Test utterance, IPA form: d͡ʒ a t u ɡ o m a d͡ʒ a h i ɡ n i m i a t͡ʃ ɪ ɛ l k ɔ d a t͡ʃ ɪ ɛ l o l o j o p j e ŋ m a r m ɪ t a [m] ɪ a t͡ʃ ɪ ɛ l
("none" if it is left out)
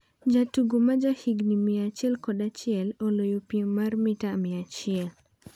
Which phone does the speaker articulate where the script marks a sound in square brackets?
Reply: m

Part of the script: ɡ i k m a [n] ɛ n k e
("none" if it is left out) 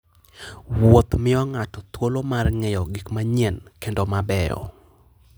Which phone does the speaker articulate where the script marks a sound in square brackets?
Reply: ɲ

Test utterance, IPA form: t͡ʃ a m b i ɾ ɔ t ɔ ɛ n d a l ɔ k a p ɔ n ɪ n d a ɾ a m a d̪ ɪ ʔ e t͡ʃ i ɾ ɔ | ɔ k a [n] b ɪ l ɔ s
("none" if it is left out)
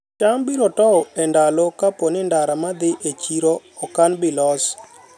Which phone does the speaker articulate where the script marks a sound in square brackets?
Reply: n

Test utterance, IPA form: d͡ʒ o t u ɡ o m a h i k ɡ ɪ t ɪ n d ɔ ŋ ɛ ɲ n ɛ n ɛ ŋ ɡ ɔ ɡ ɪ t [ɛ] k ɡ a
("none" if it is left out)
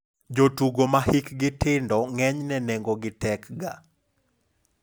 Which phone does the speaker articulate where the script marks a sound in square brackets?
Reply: ɛ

